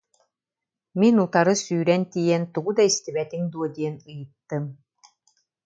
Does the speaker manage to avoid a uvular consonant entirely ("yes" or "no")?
yes